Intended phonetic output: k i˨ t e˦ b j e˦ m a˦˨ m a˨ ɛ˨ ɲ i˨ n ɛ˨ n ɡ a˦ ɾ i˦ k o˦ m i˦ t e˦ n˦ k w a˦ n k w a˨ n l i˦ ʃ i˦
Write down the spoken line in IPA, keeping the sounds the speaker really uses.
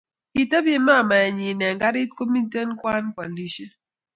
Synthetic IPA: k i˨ t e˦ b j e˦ m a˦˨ m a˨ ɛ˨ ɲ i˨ n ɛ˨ ŋ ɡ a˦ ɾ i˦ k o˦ m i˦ t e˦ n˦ k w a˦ n k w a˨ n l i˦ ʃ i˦